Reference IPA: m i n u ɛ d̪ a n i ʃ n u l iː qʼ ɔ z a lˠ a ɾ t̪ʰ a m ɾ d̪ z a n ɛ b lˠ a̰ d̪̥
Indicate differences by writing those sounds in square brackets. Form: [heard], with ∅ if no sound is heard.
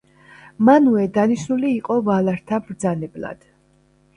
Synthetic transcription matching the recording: m [a] n u ɛ d̪ a n i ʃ n u l iː qʼ ɔ [v] a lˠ a ɾ t̪ʰ a [b] ɾ d̪ z a n ɛ b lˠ a̰ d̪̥